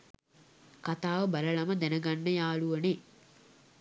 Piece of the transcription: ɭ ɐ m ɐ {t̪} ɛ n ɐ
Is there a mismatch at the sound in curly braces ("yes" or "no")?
yes